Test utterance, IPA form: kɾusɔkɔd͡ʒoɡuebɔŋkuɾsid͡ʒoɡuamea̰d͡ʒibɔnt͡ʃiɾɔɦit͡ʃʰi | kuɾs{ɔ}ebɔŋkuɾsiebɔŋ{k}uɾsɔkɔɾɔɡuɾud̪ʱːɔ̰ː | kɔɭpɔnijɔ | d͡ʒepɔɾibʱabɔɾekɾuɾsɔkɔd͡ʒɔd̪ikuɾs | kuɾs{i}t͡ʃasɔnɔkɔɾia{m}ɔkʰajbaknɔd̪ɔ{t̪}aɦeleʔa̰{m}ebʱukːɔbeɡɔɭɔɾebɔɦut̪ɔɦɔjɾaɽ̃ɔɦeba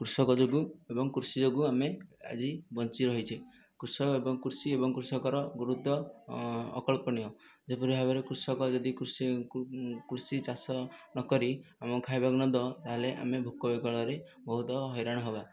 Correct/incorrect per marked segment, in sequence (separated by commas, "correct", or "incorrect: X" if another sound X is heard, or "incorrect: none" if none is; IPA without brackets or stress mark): correct, correct, correct, correct, correct, correct